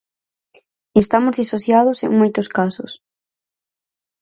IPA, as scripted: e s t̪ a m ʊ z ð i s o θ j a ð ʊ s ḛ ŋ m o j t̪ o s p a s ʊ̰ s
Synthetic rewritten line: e s t̪ a m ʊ z ð i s o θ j a ð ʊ s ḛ ŋ m o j t̪ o s k a s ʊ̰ s

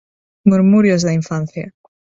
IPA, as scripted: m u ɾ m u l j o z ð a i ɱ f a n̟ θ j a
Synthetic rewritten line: m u ɾ m u ɾ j o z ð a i ɱ f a n̟ θ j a

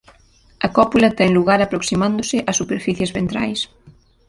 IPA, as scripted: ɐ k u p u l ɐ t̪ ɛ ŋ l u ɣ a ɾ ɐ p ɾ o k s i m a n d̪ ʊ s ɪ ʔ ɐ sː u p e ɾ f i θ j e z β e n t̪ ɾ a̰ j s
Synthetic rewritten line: ɐ k ɔ p u l ɐ t̪ ɛ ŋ l u ɣ a ɾ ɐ p ɾ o k s i m a n d̪ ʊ s ɪ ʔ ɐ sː u p e ɾ f i θ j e z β e n t̪ ɾ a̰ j s

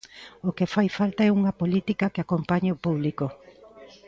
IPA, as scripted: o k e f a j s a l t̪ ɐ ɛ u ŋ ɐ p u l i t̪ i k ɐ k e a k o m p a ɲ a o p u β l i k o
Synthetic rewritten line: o k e f a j f a l t̪ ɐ ɛ u ŋ ɐ p o l i t̪ i k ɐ k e a k o m p a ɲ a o p u β l i k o

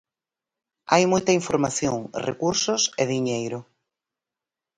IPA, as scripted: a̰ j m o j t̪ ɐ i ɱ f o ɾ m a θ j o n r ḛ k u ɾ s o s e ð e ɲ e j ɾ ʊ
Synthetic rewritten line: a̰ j m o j t̪ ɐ i ɱ f o ɾ m a θ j o ŋ r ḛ k u ɾ s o s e ð i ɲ e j ɾ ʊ

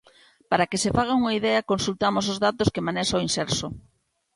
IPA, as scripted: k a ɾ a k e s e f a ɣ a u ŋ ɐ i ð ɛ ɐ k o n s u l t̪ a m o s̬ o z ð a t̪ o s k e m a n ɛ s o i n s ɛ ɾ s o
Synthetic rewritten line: p a ɾ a k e s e f a ɣ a u ŋ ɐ i ð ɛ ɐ k o n s u l t̪ a m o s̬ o z ð a t̪ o s k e m a n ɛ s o i n s ɛ ɾ s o

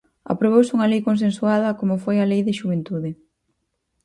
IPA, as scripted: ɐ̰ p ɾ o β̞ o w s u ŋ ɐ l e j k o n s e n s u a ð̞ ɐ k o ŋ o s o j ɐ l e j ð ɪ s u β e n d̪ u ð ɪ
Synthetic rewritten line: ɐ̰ p ɾ o β̞ o w s u ŋ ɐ l e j k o n s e n s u a ð̞ ɐ k o m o f o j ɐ l e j ð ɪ ʃ u β e n t̪ u ð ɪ

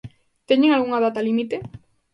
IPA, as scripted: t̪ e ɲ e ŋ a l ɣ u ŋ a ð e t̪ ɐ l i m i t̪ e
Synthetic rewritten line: t̪ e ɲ e ŋ a l ɣ u ŋ a ð a t̪ a l i m i t̪ e

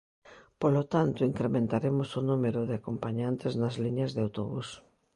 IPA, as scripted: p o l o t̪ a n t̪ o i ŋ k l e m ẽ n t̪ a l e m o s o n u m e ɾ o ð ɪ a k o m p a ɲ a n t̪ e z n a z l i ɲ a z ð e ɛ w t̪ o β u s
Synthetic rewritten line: p o l o t̪ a n t̪ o i ŋ k ɾ e m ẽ n t̪ a ɾ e m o s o n u m e ɾ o ð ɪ a k o m p a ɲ a n t̪ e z n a z l i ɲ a z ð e a w t̪ o β u s

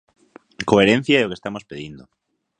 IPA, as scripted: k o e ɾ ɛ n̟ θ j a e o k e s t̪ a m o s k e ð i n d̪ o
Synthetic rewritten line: k o e ɾ e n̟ θ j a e o k e s t̪ a m o s p e ð i n d̪ o

